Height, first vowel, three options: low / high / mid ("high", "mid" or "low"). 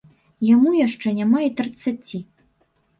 low